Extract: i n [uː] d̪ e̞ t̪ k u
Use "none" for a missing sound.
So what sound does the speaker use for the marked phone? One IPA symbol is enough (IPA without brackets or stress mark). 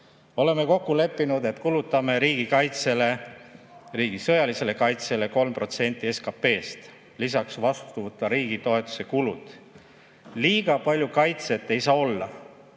u